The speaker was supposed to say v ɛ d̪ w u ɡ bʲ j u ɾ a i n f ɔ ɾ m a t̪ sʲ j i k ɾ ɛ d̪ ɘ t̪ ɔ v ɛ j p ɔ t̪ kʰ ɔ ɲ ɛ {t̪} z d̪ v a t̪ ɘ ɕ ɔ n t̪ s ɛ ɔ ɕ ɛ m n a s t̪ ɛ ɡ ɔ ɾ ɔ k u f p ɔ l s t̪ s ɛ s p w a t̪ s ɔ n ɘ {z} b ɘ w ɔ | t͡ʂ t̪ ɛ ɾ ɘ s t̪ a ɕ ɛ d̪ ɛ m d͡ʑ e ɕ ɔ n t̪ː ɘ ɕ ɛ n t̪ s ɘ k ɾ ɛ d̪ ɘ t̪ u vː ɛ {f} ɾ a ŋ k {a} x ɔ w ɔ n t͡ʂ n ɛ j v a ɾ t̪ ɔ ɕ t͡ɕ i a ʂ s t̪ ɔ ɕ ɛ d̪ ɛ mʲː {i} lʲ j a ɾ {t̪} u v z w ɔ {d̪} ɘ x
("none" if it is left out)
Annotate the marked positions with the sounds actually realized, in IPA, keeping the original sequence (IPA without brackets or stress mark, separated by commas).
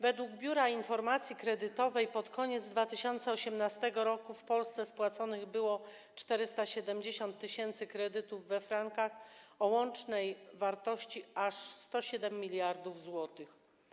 d̪, ɣ, f, a, i, d̪, t̪